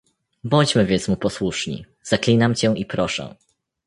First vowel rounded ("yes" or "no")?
yes